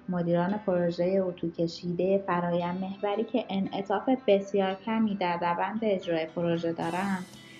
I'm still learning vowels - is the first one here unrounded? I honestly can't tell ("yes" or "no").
no